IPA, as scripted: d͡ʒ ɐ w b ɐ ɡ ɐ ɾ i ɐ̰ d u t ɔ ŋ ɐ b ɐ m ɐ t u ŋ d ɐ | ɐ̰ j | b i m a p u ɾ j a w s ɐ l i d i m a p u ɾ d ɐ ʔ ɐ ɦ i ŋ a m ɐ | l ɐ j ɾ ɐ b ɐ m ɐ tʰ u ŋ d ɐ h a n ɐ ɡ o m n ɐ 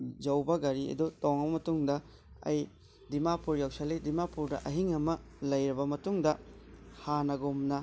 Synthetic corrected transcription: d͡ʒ ɐ w b ɐ ɡ ɐ ɾ i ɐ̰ d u t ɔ ŋ ɐ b ɐ m ɐ t u ŋ d ɐ | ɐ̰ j | d i m a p u ɾ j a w s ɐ l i d i m a p u ɾ d ɐ ʔ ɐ ɦ i ŋ ɐ m ɐ | l ɐ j ɾ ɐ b ɐ m ɐ t u ŋ d ɐ h a n ɐ ɡ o m n ɐ